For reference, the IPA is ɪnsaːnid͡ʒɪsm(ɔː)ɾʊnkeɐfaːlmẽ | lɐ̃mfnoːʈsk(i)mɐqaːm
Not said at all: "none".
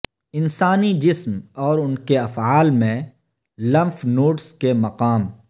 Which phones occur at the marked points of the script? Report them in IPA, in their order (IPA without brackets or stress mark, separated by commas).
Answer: ɔː, e